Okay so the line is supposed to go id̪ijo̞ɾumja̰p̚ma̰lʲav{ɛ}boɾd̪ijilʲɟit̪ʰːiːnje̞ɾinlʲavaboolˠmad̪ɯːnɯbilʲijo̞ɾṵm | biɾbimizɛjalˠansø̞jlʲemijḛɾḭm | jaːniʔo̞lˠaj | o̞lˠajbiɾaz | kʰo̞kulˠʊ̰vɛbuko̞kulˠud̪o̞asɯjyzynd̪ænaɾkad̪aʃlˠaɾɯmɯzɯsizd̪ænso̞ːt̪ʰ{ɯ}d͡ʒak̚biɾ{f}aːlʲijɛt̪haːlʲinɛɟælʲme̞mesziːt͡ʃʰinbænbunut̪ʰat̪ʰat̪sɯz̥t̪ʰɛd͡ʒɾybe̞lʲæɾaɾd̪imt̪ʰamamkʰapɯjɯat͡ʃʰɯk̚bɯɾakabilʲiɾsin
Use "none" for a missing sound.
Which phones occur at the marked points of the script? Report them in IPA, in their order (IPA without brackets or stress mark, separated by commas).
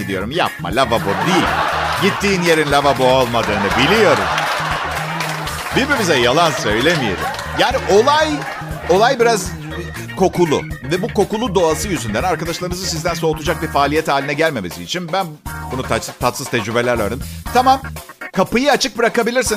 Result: a, u, f